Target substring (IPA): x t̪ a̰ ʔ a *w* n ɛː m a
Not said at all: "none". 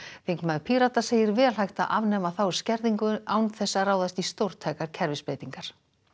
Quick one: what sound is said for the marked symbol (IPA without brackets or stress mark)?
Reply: v